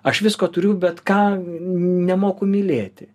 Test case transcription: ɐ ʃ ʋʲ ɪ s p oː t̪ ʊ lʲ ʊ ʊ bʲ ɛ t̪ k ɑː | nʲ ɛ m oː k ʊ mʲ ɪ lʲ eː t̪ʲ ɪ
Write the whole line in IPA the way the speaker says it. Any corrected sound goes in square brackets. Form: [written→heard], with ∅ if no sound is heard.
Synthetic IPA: ɐ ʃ ʋʲ ɪ s [p→k] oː t̪ ʊ [lʲ→ɾʲ] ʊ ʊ bʲ ɛ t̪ k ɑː | nʲ ɛ m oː k ʊ mʲ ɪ lʲ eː t̪ʲ ɪ